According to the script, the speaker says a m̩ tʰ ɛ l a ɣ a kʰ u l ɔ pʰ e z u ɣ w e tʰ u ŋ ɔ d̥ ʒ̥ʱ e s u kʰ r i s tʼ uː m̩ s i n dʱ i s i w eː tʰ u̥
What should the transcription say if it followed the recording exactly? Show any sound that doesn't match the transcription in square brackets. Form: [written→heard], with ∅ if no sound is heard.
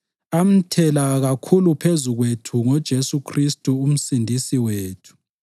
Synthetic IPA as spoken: a m̩ tʰ ɛ l a ɣ a kʰ u l [ɔ→u] pʰ e z u ɣ w e tʰ u ŋ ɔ d̥ ʒ̥ʱ e s u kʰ r i s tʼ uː m̩ s i n dʱ i s i w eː tʰ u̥